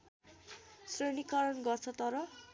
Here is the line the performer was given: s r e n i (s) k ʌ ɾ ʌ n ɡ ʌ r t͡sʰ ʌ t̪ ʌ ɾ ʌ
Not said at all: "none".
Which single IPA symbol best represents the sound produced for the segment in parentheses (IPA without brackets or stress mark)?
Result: none